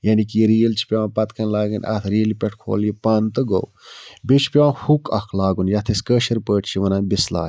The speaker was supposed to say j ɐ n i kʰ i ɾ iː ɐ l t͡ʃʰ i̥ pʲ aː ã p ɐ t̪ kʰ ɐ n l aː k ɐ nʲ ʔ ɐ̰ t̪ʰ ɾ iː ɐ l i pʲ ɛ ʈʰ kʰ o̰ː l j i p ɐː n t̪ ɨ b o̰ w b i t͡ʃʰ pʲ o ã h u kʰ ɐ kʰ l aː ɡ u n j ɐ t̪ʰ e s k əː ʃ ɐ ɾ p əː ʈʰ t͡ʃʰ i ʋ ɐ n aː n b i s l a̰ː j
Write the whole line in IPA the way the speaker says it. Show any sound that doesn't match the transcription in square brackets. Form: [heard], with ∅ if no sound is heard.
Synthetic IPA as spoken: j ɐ n i [k] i ɾ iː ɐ l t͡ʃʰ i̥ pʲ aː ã p ɐ t̪ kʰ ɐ n l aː [ɡ] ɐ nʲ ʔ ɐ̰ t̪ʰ ɾ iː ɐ l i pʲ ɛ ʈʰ kʰ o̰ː l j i p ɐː n t̪ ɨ [ɡ] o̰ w b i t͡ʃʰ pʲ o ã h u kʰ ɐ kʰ l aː ɡ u n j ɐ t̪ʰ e s k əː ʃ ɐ ɾ p əː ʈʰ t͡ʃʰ i ʋ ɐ n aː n b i s l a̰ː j